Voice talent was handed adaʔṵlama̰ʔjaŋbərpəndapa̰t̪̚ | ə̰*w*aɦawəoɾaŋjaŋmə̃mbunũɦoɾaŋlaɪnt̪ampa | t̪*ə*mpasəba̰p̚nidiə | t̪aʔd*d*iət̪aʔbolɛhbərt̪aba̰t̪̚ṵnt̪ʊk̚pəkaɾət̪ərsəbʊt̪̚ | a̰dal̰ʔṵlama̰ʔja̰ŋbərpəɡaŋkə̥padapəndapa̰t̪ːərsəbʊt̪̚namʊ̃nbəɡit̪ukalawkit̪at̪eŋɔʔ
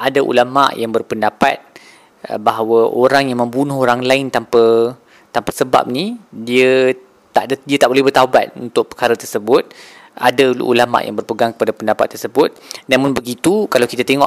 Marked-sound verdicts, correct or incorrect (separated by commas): incorrect, incorrect, correct